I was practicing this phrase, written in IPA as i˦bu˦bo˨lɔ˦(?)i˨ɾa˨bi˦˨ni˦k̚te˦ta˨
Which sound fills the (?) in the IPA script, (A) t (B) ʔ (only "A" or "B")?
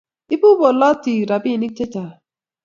A